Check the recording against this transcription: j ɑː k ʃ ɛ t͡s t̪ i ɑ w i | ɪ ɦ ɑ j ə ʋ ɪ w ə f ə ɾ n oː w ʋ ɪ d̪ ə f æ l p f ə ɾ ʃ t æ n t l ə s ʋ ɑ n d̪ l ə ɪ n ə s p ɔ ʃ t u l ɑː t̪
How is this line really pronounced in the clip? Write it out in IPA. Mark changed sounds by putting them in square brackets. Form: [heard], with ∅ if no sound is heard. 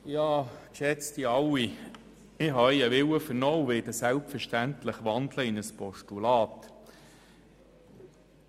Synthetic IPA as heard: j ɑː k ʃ ɛ t͡s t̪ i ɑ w i | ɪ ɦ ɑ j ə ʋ ɪ w ə f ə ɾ n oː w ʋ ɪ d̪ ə [s] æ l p f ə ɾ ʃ t æ n t l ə [χ] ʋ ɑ n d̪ l ə ɪ n ə s p ɔ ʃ t u l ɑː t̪